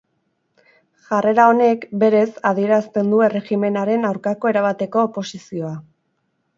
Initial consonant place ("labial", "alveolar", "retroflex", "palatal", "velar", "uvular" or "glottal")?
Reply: palatal